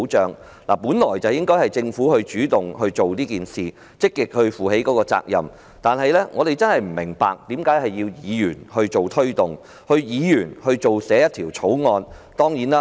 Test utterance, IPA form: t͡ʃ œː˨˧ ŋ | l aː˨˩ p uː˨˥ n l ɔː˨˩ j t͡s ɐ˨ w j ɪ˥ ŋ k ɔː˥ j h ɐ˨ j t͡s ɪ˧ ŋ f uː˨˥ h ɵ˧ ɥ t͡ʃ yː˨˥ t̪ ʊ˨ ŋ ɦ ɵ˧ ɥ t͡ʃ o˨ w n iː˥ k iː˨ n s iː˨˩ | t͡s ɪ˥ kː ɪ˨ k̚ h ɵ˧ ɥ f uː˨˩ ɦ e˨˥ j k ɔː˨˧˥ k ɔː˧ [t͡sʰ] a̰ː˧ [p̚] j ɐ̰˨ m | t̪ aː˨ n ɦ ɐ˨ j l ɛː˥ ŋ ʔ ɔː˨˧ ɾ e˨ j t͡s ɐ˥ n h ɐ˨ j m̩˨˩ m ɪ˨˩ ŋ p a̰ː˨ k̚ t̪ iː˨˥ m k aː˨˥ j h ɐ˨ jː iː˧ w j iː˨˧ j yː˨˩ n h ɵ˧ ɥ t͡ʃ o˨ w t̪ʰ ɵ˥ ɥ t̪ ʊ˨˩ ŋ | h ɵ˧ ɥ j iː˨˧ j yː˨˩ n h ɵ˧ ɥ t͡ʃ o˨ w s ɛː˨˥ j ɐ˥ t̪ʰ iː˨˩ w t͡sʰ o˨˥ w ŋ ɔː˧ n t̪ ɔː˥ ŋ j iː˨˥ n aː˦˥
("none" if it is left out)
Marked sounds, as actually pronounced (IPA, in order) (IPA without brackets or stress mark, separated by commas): t͡s, k̚